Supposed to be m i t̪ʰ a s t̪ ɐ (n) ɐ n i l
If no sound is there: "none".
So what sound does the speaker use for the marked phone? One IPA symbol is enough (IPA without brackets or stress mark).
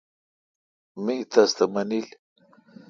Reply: m